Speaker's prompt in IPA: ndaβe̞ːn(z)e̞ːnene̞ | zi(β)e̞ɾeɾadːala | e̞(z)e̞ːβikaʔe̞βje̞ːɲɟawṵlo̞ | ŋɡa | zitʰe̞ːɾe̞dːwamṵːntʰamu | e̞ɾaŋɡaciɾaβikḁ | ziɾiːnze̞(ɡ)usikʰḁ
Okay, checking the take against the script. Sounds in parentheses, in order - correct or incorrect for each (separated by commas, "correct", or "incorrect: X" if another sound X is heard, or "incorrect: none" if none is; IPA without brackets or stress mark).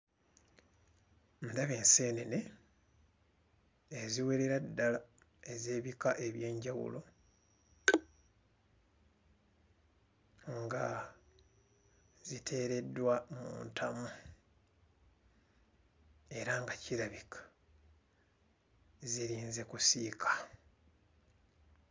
incorrect: s, incorrect: w, correct, incorrect: k